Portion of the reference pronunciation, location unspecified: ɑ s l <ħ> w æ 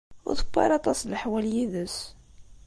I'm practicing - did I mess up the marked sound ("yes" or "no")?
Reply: no